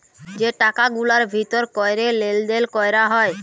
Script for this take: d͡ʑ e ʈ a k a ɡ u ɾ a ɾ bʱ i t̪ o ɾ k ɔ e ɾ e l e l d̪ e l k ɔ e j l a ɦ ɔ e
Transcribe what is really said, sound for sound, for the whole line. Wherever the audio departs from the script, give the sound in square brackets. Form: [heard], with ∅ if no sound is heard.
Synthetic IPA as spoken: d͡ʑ e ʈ a k a ɡ u [l] a ɾ bʱ i t̪ o ɾ k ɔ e ɾ e l e l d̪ e l k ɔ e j [ɾ] a ɦ ɔ e